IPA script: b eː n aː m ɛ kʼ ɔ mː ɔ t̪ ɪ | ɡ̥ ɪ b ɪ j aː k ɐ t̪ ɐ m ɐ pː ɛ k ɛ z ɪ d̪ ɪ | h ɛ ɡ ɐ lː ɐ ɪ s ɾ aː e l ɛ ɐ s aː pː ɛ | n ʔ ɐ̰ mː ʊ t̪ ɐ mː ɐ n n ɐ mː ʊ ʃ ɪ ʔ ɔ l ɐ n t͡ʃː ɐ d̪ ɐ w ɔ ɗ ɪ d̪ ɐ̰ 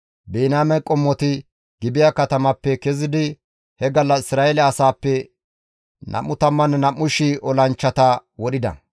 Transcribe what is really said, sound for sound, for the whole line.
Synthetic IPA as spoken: b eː n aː m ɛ kʼ ɔ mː ɔ t̪ ɪ | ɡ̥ ɪ b ɪ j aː k ɐ t̪ ɐ m ɐ pː ɛ k ɛ z ɪ d̪ ɪ | h ɛ ɡ ɐ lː ɐ ɪ s ɾ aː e l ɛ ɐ s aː pː ɛ | n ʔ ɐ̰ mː ʊ t̪ ɐ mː ɐ n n ɐ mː ʊ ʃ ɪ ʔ ɔ l ɐ n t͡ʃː ɐ t̪ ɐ w ɔ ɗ ɪ d̪ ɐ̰